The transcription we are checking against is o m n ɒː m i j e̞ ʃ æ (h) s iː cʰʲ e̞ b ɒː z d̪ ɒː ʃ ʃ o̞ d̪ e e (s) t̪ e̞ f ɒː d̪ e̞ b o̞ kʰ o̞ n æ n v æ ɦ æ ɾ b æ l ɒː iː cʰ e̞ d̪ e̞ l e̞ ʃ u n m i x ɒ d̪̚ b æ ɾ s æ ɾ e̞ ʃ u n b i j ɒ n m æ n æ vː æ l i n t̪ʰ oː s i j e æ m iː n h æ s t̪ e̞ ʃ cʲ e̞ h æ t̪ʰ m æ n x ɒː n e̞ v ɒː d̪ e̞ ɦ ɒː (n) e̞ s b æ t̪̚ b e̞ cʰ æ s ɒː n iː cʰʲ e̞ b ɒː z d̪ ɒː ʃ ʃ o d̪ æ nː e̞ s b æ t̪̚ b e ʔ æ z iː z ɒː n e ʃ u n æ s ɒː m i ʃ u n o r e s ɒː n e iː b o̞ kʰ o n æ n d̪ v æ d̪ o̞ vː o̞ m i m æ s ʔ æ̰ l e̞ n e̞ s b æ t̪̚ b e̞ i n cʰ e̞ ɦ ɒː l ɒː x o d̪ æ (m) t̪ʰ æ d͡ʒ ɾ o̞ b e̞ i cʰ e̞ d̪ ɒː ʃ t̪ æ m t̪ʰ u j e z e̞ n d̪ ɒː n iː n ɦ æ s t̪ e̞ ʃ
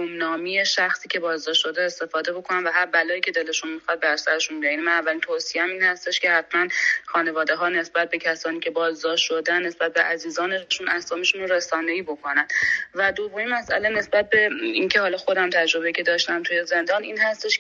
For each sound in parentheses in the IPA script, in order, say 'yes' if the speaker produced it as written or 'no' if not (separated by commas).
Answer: no, yes, yes, yes